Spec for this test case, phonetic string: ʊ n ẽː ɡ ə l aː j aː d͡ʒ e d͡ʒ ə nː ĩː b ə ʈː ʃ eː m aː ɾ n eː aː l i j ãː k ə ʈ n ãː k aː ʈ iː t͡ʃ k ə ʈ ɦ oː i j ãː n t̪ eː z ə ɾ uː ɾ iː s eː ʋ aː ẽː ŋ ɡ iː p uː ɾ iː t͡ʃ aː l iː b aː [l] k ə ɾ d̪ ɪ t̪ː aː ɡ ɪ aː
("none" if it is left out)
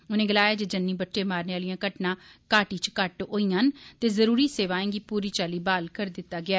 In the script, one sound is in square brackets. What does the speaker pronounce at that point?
l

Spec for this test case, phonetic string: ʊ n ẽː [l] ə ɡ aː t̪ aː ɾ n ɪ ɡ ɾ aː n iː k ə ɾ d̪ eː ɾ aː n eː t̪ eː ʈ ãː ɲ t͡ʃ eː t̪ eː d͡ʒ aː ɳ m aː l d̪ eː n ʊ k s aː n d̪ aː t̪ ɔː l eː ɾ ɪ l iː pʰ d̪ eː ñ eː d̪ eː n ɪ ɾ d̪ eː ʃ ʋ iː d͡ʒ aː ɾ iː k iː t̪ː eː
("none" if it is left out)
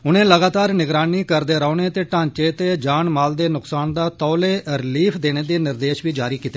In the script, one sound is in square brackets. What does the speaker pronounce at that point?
l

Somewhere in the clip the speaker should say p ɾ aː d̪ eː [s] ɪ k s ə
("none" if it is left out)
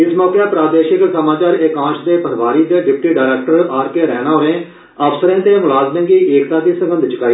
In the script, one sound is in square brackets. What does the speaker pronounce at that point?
ʃ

